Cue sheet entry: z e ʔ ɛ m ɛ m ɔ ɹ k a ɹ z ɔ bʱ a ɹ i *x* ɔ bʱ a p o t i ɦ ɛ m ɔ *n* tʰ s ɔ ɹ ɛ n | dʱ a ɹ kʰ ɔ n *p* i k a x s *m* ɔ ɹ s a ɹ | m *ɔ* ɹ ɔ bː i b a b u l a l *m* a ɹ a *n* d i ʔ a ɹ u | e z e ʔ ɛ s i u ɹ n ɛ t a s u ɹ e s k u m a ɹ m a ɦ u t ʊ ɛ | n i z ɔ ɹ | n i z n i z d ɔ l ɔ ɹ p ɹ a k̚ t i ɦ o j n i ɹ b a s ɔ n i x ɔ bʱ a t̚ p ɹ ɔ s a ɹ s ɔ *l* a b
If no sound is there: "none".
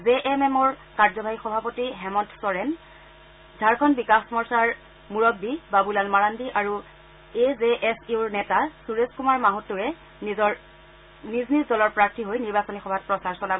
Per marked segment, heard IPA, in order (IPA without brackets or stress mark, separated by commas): x, n, b, m, u, m, n, l